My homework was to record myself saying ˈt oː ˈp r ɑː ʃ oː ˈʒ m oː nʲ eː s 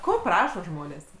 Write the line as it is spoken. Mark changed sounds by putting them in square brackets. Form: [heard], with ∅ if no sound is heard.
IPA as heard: [ˈk] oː ˈp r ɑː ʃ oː ˈʒ m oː nʲ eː s